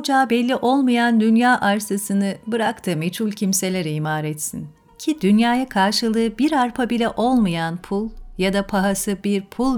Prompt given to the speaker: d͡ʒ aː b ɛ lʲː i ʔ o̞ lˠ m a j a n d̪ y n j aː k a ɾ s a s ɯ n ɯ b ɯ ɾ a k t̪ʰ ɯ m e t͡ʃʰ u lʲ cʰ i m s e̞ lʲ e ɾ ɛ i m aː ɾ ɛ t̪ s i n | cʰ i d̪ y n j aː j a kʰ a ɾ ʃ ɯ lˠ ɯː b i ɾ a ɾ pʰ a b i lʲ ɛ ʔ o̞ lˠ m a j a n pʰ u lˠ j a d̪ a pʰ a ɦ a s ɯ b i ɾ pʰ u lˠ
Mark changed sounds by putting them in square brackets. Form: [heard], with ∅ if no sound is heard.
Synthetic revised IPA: d͡ʒ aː b ɛ lʲː i ʔ o̞ lˠ m a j a n d̪ y n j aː [ʔ] a ɾ s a s ɯ n ɯ b ɯ ɾ a k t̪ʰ ɯ m e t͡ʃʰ u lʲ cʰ i m s e̞ lʲ e ɾ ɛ i m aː ɾ ɛ t̪ s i n | cʰ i d̪ y n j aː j a kʰ a ɾ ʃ ɯ lˠ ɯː b i ɾ a ɾ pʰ a b i lʲ ɛ ʔ o̞ lˠ m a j a n pʰ u lˠ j a d̪ a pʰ a ɦ a s ɯ b i ɾ pʰ u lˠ